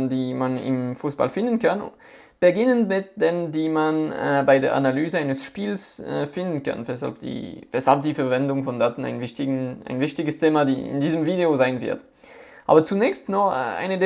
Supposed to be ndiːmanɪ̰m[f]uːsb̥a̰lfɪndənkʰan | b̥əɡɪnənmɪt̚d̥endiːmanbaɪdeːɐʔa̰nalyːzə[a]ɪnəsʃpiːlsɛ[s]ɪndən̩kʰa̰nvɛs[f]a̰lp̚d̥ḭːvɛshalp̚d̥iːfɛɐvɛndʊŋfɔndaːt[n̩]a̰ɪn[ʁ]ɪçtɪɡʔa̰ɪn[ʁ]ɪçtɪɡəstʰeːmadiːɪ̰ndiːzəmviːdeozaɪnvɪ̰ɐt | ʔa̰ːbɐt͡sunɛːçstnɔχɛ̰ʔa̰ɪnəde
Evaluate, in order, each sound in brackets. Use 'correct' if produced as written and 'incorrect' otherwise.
correct, correct, incorrect: f, incorrect: h, correct, incorrect: v, incorrect: v

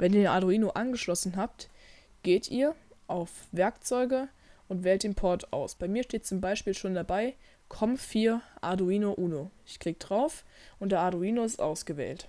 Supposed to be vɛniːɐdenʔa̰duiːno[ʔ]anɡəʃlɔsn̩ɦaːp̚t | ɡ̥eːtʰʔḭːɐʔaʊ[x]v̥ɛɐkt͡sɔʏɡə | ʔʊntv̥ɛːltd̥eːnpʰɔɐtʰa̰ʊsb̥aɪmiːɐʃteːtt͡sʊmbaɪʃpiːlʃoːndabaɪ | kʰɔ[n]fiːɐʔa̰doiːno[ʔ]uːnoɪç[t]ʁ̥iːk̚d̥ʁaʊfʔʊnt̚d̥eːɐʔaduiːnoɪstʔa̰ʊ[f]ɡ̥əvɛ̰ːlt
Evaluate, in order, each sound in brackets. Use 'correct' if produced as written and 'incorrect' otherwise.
correct, incorrect: f, incorrect: m, correct, incorrect: k, incorrect: s

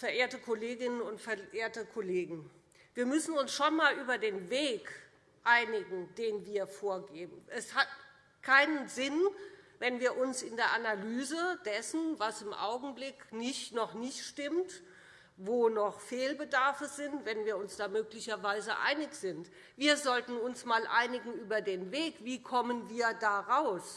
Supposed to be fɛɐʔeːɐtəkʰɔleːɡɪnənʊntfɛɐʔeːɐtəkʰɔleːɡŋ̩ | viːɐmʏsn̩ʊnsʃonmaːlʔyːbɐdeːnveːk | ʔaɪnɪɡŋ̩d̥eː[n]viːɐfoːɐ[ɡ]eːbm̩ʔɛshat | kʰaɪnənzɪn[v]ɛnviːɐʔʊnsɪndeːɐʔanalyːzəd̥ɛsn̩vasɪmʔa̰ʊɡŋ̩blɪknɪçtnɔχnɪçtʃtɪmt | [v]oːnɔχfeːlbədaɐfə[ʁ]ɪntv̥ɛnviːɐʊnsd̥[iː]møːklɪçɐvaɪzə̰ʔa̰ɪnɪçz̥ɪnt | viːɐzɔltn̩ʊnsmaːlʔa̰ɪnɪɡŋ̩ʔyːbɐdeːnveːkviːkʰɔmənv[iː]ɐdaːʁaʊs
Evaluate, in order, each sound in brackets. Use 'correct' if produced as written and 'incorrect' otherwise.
correct, correct, correct, correct, incorrect: z, incorrect: aː, correct

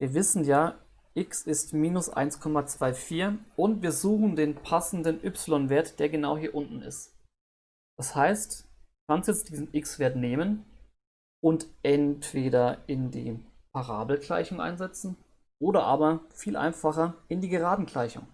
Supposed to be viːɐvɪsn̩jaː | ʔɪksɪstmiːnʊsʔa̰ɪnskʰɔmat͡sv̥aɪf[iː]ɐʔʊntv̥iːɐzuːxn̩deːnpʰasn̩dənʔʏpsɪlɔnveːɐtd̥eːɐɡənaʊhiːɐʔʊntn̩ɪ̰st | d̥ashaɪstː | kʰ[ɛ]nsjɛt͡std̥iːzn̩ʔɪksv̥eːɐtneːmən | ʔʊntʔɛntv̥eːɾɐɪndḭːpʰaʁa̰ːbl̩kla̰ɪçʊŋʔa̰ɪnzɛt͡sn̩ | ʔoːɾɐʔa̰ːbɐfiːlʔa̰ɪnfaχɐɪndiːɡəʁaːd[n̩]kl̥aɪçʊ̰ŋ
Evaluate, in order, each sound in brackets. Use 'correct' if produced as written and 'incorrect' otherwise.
correct, incorrect: a, correct

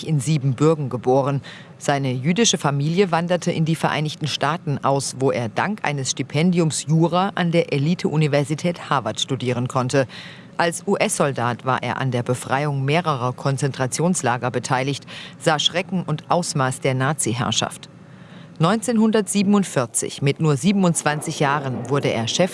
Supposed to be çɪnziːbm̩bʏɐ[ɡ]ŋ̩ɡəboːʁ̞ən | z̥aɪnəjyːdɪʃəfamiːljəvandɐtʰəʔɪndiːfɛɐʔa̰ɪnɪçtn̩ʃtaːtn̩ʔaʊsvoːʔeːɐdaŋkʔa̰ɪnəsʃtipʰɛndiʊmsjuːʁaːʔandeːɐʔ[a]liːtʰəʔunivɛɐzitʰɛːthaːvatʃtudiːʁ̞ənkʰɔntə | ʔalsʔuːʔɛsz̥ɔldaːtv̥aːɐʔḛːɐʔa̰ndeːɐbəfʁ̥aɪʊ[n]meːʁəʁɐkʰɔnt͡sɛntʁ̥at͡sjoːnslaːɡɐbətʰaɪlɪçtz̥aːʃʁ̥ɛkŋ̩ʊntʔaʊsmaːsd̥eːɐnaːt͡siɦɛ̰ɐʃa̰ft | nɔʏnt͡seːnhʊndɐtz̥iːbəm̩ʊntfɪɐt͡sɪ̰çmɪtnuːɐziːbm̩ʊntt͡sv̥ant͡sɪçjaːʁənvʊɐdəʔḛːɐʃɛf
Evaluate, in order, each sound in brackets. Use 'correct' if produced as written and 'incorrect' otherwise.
correct, incorrect: e, incorrect: ŋ

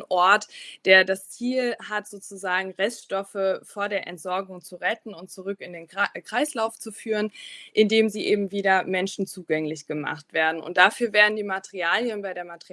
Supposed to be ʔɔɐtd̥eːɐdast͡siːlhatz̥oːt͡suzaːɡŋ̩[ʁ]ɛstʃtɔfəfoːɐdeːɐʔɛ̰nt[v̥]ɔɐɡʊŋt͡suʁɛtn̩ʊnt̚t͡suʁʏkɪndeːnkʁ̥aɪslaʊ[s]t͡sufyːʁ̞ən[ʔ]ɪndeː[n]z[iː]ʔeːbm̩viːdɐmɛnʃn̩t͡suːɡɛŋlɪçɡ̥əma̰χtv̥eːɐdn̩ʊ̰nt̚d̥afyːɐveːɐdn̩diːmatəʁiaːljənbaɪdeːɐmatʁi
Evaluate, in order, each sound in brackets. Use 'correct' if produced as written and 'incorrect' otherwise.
correct, incorrect: z̥, incorrect: f, correct, incorrect: m, correct

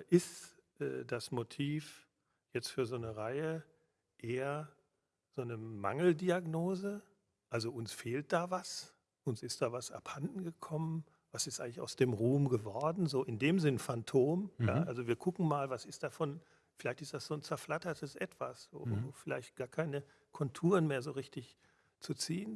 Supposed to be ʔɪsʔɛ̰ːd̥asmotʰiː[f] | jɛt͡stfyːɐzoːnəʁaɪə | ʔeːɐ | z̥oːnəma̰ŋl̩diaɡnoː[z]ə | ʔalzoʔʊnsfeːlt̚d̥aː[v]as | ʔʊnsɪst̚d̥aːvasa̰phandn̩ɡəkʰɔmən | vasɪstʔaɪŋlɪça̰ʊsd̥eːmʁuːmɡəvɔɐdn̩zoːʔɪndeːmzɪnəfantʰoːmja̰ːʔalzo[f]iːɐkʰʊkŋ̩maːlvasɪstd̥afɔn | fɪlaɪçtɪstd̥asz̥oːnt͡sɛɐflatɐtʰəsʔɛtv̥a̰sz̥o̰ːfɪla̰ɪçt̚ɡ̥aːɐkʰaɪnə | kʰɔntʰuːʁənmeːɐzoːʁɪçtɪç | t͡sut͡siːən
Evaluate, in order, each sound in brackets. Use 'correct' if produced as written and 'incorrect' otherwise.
correct, correct, correct, incorrect: v

